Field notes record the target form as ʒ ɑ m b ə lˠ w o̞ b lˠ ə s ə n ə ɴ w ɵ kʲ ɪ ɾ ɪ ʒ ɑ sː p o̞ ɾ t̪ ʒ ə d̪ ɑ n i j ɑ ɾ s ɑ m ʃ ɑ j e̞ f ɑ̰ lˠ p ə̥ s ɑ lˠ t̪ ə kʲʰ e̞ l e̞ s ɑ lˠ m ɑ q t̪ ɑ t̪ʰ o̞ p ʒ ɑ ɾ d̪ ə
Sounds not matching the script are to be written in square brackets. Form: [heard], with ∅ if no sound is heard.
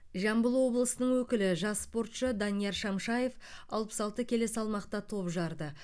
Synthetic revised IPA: ʒ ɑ m b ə lˠ w o̞ b lˠ ə s ə n ə ɴ w ɵ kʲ ɪ [l] ɪ ʒ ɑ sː p o̞ ɾ t̪ [ʃ] ə d̪ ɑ n i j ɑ ɾ [ʃ] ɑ m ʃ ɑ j e̞ f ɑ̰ lˠ p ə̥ s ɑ lˠ t̪ ə kʲʰ e̞ l e̞ s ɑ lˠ m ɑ q t̪ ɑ t̪ʰ o̞ p ʒ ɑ ɾ d̪ ə